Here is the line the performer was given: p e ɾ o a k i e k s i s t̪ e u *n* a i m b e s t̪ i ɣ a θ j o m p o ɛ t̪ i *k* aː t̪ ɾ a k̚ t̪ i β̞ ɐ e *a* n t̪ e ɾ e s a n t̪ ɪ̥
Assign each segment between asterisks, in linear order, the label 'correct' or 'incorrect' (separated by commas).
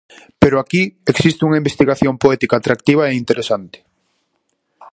incorrect, correct, incorrect